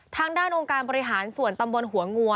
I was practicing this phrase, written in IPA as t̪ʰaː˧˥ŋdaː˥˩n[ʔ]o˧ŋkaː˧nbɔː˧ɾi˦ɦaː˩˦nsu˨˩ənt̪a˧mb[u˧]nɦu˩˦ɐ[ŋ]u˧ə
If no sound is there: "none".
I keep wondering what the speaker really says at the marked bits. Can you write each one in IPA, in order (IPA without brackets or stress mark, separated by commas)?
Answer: ʔ, o˧, ŋ